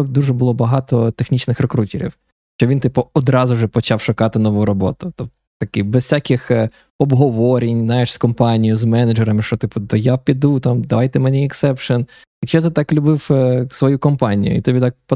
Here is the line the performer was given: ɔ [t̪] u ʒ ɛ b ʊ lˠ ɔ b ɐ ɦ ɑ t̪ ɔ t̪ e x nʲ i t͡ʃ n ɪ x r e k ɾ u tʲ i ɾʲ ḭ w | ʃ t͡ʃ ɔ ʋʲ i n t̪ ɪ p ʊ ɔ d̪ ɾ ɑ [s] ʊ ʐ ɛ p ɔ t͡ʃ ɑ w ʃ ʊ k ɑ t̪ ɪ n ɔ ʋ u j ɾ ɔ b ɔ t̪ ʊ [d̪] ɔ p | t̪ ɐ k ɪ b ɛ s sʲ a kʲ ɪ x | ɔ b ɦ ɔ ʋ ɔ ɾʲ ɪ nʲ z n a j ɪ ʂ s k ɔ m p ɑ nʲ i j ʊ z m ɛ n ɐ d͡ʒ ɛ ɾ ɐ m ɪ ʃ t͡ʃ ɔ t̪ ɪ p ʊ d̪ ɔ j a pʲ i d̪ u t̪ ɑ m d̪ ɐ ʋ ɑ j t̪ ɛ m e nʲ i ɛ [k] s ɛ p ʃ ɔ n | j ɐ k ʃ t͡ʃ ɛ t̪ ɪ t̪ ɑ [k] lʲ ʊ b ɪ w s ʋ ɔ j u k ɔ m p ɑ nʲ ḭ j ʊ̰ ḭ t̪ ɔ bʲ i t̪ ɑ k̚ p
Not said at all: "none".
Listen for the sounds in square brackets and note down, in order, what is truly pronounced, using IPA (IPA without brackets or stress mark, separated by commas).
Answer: d̪, z, t̪, k, k